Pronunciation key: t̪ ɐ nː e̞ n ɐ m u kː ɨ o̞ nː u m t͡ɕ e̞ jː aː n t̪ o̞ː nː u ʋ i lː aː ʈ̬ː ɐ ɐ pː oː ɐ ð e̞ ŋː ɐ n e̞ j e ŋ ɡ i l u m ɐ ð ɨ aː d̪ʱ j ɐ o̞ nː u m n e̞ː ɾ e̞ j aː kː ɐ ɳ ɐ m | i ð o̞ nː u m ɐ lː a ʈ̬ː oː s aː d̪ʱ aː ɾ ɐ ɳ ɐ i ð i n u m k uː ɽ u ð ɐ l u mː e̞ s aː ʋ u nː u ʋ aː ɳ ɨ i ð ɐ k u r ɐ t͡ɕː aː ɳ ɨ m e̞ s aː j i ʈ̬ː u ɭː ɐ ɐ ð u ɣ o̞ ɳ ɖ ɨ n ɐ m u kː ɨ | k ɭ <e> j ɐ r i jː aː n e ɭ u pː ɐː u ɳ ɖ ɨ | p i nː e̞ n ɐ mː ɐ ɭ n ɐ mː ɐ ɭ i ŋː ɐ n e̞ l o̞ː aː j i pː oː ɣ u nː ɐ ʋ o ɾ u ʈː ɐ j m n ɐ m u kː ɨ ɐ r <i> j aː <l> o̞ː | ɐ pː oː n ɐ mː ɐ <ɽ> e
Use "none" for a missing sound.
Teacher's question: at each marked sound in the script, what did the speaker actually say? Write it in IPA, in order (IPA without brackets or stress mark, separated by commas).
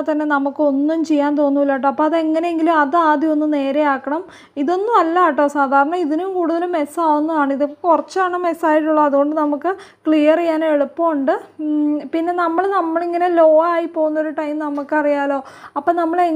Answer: i, i, l, ɭ